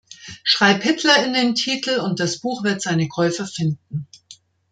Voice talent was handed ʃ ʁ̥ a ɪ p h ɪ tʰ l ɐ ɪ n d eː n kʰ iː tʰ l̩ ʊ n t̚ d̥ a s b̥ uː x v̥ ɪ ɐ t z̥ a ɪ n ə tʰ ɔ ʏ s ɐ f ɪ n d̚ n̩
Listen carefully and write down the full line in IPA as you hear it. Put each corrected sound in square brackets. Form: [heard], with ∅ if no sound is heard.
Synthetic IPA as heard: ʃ ʁ̥ a ɪ p h ɪ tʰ l ɐ ɪ n d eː n [tʰ] iː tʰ l̩ ʊ n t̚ d̥ a s b̥ uː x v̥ ɪ ɐ t z̥ a ɪ n ə [kʰ] ɔ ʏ [f] ɐ f ɪ n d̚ n̩